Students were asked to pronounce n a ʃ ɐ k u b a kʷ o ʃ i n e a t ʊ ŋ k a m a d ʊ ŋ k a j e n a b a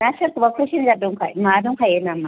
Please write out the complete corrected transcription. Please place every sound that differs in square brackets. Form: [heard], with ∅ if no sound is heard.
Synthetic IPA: n a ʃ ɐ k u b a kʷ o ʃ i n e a [d] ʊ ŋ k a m a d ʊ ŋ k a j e n a [m] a